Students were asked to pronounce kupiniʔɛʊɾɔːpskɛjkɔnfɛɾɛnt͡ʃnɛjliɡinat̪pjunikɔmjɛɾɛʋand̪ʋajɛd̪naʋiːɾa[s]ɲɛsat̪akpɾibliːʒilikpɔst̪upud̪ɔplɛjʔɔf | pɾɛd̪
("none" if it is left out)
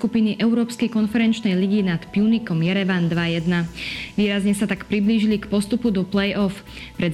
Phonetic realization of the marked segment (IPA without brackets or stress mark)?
z